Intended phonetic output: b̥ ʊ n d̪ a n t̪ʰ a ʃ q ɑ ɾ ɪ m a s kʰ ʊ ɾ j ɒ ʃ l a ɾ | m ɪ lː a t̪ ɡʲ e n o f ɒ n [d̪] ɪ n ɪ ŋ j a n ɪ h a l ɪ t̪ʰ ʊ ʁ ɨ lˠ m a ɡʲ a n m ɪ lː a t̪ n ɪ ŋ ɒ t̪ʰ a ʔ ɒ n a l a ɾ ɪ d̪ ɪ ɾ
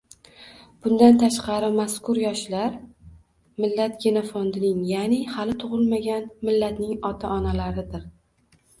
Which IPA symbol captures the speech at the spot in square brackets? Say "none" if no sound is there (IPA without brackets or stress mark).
d̪